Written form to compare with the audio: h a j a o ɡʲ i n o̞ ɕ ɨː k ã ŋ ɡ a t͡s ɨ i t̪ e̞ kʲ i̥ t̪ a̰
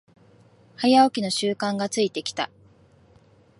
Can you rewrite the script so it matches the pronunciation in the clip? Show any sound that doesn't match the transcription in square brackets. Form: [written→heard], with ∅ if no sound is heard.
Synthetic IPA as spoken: h a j a o [ɡʲ→kʲ] i n o̞ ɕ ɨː k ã ŋ ɡ a t͡s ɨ i t̪ e̞ kʲ i̥ t̪ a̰